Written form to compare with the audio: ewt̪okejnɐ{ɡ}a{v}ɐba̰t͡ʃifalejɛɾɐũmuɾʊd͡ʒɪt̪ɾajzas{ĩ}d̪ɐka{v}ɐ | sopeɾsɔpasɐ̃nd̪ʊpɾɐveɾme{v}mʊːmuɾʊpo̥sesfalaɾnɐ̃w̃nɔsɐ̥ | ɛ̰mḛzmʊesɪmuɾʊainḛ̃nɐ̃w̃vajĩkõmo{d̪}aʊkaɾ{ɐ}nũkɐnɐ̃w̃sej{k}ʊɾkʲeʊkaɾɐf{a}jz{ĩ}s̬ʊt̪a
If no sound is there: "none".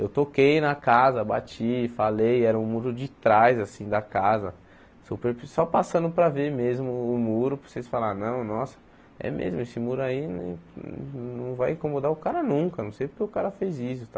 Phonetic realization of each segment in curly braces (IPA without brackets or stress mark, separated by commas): k, z, ĩ, z, z, d̪, ɐ, p, e, i